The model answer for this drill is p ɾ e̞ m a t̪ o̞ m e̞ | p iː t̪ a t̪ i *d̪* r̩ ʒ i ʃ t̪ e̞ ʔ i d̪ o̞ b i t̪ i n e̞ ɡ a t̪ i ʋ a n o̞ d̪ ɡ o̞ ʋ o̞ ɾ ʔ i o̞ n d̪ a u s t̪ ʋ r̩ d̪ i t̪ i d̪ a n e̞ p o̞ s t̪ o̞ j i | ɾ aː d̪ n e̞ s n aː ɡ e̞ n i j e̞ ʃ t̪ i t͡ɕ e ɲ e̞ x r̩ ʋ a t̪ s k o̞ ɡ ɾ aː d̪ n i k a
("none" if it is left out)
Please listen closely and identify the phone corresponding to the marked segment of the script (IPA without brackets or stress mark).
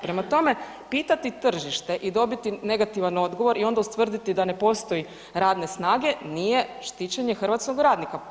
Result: t̪